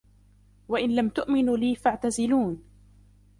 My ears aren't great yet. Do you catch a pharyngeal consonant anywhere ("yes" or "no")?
yes